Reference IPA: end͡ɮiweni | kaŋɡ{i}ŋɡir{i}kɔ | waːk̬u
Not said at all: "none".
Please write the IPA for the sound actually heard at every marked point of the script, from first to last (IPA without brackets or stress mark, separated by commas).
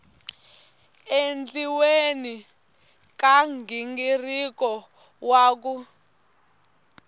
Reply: i, i